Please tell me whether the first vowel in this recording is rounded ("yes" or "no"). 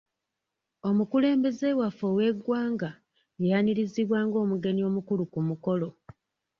yes